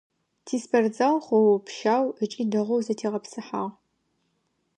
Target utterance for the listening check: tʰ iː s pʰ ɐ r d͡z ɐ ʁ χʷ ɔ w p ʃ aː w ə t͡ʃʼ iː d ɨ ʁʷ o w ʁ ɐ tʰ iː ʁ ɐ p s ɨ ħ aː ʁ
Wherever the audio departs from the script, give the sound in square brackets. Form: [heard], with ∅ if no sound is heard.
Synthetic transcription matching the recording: tʰ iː s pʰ ɐ r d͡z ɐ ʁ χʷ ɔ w p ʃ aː w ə t͡ʃʼ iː d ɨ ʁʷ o w [z] ɐ tʰ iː ʁ ɐ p s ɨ ħ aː ʁ